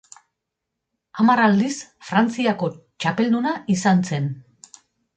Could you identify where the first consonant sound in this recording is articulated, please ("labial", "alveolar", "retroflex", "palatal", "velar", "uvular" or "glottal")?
labial